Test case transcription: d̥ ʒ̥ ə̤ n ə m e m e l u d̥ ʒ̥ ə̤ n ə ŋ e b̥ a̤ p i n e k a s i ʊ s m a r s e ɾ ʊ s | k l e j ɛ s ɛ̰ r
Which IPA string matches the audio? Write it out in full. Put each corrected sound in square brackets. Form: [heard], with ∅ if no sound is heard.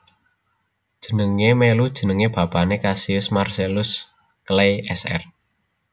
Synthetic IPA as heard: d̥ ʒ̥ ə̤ n ə [ŋ] e m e l u d̥ ʒ̥ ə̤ n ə ŋ e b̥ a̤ p [a] n e k a s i ʊ s m a r s e [l] ʊ s | k l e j ɛ s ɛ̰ r